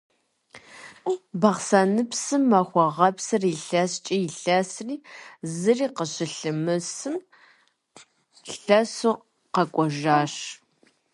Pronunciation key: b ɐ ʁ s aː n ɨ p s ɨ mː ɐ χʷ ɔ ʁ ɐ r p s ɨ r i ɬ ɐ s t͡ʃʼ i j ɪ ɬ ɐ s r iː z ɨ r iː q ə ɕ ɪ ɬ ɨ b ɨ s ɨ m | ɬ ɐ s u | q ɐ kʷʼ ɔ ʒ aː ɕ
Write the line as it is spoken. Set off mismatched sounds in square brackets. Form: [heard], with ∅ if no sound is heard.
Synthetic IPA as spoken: b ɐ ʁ s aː n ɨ p s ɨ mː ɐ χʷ ɔ ʁ ɐ [∅] p s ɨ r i ɬ ɐ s t͡ʃʼ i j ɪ ɬ ɐ s r iː z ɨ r iː q ə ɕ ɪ ɬ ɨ [m] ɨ s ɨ m | ɬ ɐ s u | q ɐ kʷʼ ɔ ʒ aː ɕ